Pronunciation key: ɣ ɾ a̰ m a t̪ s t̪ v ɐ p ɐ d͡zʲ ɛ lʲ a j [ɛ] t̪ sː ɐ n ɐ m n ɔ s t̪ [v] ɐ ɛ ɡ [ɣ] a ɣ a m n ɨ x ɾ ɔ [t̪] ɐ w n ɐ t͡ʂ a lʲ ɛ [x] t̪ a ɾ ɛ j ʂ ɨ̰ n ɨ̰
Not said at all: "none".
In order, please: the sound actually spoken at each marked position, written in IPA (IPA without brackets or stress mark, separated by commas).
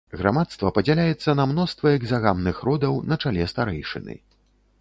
ɛ, v, z, d̪, s